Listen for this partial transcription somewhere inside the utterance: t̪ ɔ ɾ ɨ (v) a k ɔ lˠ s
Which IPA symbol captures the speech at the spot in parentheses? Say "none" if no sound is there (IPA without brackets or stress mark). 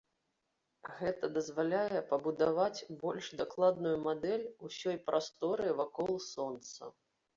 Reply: v